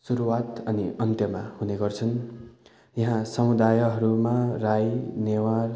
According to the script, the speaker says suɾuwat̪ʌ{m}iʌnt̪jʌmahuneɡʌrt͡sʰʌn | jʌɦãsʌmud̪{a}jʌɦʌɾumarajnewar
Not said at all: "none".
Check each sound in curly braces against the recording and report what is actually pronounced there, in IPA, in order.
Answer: n, a

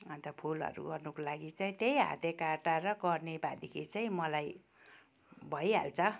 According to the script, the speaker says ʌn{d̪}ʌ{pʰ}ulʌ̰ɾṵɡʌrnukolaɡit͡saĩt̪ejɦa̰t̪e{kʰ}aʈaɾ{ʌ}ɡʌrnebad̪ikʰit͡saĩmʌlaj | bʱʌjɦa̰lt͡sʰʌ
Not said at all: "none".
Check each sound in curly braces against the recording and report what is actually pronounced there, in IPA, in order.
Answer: t̪, pʰ, k, ʌ

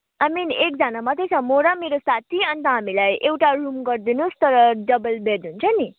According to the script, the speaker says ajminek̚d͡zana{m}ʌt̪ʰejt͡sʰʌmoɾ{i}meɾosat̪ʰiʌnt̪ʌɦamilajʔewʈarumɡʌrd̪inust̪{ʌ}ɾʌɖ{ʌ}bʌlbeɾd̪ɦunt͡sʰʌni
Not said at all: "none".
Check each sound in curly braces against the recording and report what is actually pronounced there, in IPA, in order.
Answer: m, a, ʌ, ʌ

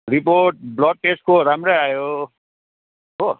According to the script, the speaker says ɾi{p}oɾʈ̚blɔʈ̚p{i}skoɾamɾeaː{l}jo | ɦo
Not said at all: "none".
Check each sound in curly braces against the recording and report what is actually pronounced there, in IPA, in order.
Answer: p, e, none

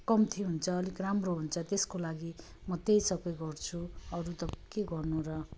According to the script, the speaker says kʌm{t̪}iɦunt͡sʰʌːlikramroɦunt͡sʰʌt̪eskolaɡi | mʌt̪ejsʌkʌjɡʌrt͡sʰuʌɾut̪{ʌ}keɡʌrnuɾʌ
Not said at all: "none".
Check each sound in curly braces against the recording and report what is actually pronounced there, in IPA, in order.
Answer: t̪ʰ, ʌ

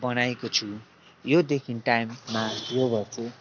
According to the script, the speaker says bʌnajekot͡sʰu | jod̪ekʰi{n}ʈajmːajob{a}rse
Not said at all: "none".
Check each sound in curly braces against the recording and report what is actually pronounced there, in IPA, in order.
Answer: n, ʌ

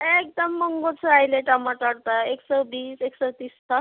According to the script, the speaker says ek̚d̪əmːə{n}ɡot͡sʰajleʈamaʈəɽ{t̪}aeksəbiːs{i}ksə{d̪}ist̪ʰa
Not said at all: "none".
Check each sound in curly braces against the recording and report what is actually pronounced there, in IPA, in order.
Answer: ŋ, t̪, e, t̪

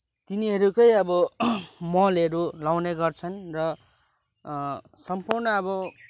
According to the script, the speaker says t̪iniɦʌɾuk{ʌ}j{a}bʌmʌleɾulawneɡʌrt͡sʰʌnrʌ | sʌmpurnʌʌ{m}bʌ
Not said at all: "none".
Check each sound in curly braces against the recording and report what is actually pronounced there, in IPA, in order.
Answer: ʌ, ʌ, none

